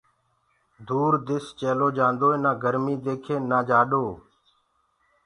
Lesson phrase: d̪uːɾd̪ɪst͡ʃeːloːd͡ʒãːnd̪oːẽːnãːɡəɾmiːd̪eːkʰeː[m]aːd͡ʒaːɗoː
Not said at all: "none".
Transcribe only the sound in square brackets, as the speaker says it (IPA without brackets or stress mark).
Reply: n